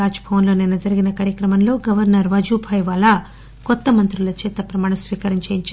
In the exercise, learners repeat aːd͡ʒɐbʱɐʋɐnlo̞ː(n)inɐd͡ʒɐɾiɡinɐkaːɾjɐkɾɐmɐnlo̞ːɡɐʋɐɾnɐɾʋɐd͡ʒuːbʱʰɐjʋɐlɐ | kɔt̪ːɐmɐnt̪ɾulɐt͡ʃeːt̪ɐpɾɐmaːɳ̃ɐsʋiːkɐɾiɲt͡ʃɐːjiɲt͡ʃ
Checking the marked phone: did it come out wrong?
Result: no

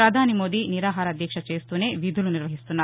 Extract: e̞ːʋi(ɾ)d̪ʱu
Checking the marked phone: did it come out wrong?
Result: yes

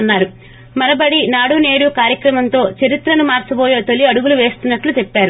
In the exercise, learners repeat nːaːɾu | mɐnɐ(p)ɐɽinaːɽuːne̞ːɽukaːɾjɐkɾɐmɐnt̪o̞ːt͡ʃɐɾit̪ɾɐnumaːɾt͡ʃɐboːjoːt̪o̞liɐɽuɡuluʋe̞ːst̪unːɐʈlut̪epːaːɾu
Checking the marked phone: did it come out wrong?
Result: yes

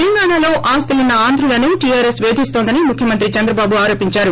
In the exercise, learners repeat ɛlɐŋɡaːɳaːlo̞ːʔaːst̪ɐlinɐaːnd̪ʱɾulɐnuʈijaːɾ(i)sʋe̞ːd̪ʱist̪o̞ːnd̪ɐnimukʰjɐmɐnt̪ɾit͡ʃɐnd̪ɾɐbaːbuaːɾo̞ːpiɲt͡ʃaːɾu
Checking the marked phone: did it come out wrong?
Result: yes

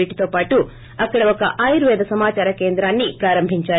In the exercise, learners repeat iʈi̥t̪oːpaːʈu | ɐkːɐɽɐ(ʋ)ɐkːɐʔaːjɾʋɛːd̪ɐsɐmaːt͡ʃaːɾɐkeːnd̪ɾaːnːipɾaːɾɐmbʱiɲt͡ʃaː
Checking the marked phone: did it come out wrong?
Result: no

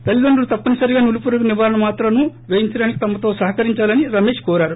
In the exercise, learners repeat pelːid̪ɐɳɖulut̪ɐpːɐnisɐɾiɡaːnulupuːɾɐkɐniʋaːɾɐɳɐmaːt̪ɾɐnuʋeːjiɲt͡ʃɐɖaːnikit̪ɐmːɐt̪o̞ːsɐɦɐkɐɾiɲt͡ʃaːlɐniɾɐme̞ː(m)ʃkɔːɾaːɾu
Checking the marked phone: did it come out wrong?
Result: yes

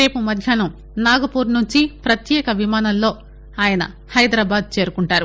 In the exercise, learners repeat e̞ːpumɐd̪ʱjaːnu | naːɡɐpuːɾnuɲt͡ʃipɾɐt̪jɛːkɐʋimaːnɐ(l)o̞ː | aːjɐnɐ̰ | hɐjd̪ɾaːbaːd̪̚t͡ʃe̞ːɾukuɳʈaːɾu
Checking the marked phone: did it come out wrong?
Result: yes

